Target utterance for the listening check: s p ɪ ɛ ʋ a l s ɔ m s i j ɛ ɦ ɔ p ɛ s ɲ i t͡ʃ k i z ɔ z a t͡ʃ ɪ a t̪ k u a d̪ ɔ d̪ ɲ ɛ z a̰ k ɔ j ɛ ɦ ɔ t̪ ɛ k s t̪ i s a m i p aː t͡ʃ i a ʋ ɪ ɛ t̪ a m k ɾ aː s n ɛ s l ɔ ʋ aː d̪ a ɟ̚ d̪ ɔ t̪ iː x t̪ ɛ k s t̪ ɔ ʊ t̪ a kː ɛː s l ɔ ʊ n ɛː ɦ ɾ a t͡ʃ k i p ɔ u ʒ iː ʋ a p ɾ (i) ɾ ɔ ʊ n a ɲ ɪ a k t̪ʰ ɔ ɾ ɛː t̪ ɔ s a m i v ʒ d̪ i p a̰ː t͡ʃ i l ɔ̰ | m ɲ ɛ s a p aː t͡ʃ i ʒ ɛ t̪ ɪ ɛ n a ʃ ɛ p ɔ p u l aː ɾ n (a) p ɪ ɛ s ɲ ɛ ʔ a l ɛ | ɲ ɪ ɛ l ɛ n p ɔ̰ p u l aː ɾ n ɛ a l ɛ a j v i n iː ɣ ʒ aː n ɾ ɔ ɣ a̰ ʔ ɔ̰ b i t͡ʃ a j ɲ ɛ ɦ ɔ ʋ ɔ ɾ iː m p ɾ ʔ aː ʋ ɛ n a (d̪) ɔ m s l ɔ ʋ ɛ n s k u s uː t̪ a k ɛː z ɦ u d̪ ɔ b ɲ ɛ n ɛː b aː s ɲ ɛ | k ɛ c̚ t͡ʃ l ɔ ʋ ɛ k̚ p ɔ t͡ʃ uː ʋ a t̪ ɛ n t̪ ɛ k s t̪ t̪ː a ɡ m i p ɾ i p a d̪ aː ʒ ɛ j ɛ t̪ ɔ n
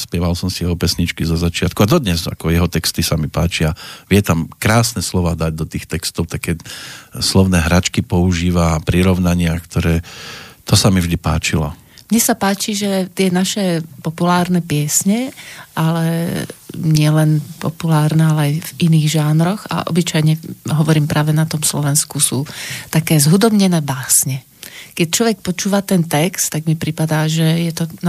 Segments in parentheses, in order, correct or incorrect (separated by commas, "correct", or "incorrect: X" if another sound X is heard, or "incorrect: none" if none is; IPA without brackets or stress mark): correct, incorrect: ɛ, incorrect: t̪